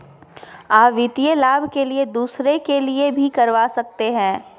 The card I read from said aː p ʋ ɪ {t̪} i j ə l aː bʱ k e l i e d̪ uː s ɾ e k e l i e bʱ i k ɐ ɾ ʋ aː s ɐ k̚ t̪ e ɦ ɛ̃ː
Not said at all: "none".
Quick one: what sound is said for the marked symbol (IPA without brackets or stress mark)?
t̪